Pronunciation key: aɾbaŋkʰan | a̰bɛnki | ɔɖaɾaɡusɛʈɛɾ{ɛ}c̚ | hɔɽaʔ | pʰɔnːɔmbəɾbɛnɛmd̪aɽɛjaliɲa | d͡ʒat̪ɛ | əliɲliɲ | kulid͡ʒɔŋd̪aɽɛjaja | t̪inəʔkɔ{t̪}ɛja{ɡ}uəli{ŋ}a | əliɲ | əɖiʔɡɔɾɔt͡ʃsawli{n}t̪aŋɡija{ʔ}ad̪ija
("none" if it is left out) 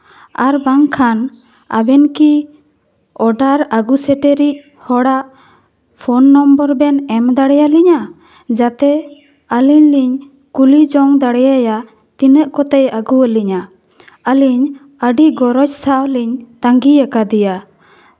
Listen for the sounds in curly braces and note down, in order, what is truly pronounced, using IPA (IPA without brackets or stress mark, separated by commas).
i, t̪, ɡ, ɲ, ɲ, k